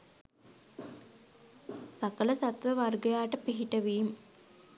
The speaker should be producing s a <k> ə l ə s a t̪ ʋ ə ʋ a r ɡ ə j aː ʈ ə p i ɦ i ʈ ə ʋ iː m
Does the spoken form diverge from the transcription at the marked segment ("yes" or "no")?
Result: no